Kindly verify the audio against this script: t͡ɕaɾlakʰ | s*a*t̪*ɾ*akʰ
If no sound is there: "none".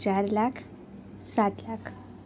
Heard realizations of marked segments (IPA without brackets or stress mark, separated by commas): a, l